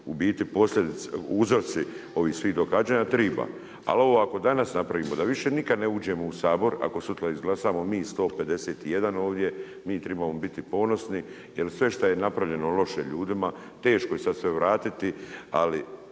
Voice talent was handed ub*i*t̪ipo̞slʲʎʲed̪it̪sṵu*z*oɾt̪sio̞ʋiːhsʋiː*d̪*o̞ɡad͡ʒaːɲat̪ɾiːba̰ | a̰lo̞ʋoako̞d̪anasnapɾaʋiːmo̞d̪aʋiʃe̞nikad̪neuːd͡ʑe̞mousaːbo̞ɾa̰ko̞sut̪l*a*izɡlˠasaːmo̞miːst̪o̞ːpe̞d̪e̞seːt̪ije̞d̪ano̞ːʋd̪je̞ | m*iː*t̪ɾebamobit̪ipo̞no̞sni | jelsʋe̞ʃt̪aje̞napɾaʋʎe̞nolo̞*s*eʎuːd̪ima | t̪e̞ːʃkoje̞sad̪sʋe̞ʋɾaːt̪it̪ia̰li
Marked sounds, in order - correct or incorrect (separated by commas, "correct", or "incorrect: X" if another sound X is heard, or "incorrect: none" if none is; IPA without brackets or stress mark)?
incorrect: iː, correct, correct, correct, correct, incorrect: ʃ